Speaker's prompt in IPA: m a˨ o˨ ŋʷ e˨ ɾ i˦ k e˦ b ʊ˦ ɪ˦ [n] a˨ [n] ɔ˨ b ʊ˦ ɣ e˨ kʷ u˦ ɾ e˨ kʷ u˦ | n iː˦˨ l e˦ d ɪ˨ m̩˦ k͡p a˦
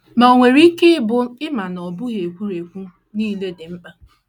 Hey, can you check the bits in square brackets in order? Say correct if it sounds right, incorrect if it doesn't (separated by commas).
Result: incorrect, correct